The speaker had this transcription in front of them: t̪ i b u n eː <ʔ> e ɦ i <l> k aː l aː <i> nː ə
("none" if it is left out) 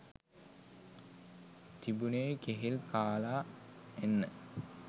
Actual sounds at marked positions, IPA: k, l, e

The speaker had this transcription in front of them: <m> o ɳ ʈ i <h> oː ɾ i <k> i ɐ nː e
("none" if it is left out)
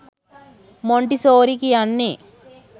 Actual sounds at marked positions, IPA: m, s, k

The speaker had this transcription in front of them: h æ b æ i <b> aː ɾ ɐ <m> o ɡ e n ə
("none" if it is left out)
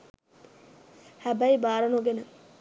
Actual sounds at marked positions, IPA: b, n

